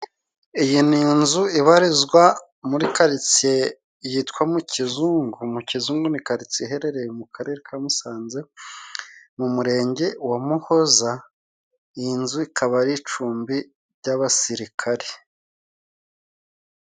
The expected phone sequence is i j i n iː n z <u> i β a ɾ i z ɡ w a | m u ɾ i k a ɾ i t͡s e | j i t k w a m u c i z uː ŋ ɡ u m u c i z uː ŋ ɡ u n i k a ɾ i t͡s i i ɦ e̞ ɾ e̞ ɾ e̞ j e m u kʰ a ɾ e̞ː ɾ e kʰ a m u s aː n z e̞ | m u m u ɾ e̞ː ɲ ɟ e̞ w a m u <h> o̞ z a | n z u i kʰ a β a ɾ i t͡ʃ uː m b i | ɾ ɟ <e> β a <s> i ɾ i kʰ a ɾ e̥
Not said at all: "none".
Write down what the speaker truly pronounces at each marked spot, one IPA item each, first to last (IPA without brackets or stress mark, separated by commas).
u, h, a, s